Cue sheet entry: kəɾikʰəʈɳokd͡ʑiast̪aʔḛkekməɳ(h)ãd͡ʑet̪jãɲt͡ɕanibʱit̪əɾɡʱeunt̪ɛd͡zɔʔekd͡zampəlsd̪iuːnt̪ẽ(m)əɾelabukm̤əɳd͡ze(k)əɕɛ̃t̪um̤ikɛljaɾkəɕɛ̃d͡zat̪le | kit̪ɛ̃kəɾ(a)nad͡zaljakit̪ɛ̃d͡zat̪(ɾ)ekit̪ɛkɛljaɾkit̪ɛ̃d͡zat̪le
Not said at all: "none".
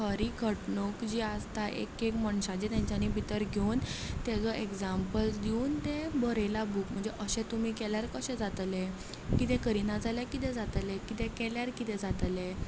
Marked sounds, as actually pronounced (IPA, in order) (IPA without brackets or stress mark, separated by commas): ɕ, b, ʔ, i, l